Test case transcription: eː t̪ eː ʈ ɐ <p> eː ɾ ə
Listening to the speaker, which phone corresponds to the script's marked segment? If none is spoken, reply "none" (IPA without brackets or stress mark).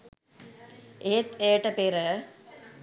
p